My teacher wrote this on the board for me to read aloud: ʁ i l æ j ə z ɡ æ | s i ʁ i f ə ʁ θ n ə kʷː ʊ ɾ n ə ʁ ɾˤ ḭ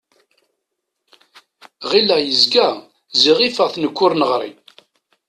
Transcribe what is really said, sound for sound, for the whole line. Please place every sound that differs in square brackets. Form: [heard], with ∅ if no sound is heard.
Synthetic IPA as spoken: ʁ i l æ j ə z ɡ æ | [z] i ʁ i f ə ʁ θ n ə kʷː ʊ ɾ n ə ʁ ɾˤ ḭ